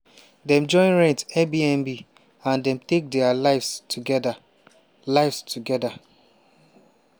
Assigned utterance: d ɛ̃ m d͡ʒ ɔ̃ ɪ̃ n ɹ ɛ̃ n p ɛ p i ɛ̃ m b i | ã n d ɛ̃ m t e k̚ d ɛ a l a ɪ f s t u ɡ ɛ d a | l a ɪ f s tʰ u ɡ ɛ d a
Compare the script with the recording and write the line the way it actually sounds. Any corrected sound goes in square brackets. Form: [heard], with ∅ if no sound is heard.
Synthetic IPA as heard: d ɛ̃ m d͡ʒ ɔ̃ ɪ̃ n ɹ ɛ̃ n [t] ɛ [b] i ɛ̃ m b i | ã n d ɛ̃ m t e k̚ d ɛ a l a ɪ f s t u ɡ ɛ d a | l a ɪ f s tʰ u ɡ ɛ d a